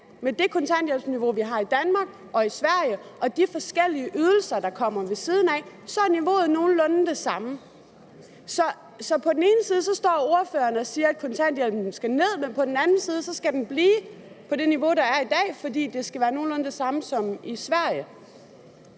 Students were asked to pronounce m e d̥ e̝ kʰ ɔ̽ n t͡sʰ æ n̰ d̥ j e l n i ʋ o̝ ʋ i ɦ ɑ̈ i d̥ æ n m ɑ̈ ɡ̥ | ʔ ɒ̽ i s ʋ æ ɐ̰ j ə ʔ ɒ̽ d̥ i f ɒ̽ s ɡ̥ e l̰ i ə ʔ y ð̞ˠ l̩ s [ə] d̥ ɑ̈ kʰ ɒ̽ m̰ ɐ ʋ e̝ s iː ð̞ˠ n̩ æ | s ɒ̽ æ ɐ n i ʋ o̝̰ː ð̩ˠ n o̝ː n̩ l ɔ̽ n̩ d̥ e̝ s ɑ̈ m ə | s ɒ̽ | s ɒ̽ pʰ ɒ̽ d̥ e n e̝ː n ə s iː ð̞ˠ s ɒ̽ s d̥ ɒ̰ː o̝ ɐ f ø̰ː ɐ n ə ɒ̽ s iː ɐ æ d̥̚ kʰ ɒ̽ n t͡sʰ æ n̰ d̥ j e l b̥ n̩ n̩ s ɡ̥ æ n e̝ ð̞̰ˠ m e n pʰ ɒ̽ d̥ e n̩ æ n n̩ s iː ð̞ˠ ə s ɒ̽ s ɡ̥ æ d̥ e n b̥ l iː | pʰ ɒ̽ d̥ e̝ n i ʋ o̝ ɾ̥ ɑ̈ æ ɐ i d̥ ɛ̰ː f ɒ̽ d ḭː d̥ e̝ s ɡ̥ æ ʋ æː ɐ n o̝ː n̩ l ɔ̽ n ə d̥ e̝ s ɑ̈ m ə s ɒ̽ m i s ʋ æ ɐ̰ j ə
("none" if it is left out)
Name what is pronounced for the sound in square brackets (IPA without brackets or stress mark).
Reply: ɐ